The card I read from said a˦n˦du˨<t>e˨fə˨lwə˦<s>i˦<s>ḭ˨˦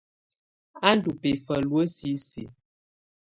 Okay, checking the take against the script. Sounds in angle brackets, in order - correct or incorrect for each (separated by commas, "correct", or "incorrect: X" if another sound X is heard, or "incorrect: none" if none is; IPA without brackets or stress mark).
incorrect: p, correct, correct